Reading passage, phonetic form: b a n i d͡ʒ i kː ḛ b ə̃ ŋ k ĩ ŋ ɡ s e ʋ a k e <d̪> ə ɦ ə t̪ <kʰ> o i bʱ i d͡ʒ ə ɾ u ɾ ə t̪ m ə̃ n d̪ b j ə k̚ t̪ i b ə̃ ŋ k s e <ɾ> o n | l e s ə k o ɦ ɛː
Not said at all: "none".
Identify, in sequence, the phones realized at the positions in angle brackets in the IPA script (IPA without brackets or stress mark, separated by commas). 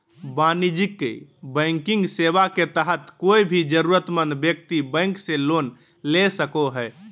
t̪, k, l